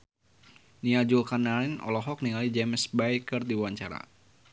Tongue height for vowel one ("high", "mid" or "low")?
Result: high